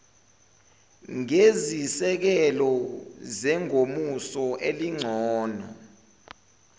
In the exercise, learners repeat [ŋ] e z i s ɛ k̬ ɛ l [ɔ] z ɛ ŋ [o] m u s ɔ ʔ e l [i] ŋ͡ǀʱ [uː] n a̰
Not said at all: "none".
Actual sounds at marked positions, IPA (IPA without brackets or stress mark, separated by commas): ŋ, ɔ, o, i, ɔː